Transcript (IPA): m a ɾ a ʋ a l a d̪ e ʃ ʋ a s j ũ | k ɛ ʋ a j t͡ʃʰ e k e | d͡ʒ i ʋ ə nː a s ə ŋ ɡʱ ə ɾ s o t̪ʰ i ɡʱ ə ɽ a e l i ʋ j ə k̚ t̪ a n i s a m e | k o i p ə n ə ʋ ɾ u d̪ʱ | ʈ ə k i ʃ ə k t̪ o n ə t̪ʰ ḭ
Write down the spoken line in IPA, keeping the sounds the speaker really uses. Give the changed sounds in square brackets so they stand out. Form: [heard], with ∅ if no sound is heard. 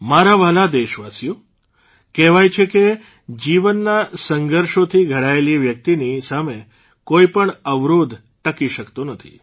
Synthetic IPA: m a ɾ a ʋ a l a d̪ e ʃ ʋ a s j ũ | k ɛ ʋ a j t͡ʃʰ e k e | d͡ʒ i ʋ ə nː a s ə ŋ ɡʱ ə ɾ [ʃ] o t̪ʰ i ɡʱ ə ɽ a e l i ʋ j ə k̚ t̪ [i] n i s a m e | k o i p ə [ɳ] ə ʋ ɾ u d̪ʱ | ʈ ə k i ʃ ə k t̪ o n ə t̪ʰ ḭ

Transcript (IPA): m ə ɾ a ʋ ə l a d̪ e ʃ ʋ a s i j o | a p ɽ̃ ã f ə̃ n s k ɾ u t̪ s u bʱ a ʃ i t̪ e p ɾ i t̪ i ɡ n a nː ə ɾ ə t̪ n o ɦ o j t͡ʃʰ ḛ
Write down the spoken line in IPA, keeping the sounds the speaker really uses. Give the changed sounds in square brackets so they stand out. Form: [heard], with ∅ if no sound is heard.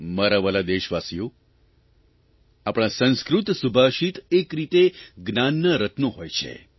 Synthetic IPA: m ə ɾ a ʋ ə l a d̪ e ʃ ʋ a s i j o | a p ɽ̃ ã [s] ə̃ n s k ɾ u t̪ s u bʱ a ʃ i t̪ e [k] ɾ i t̪ [e] ɡ n a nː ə ɾ ə t̪ n o ɦ o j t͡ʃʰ ḛ

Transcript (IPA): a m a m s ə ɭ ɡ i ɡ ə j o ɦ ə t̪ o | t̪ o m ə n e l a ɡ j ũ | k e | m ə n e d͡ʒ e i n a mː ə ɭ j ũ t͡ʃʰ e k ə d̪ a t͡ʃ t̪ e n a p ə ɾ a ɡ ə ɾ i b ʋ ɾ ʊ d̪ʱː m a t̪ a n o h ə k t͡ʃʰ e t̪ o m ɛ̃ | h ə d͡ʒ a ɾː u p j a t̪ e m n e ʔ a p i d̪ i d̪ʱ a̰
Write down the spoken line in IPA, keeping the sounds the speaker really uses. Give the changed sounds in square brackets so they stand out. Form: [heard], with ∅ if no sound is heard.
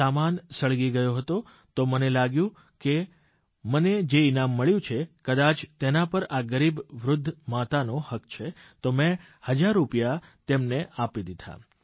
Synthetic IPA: a m a [n] s ə ɭ ɡ i ɡ ə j o ɦ ə t̪ o | t̪ o m ə n e l a ɡ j ũ | k e | m ə n e d͡ʒ e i n a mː ə ɭ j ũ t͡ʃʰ e k ə d̪ a t͡ʃ t̪ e n a p ə ɾ a ɡ ə ɾ i b ʋ ɾ ʊ d̪ʱː m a t̪ a n o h ə k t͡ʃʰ e t̪ o m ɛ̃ | h ə d͡ʒ a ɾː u p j a t̪ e m n e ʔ a p i d̪ i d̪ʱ a̰

